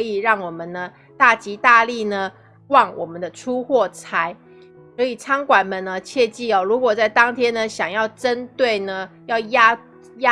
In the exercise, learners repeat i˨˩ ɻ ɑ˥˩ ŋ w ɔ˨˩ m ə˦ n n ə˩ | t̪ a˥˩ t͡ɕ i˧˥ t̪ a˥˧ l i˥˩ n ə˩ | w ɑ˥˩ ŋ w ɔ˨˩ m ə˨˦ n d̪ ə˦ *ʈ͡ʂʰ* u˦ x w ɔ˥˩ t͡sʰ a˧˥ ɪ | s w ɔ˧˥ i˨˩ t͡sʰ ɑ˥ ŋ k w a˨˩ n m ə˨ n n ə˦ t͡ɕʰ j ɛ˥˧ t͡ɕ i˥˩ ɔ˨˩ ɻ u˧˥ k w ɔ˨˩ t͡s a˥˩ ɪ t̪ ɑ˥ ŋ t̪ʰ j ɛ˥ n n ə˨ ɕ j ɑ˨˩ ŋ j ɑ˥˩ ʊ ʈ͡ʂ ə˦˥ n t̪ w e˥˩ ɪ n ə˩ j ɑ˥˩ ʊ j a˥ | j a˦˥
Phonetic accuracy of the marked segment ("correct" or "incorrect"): correct